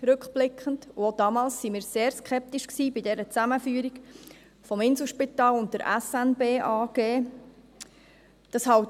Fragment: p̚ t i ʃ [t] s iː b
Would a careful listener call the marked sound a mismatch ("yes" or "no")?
yes